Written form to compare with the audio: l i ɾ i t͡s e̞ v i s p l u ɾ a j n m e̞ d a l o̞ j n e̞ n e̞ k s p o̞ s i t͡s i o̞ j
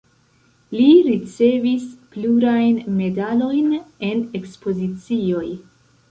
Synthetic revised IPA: l i ɾ i t͡s e̞ v i s p l u ɾ a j n m e̞ d a l o̞ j n e̞ n e̞ k s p o̞ z i t͡s i o̞ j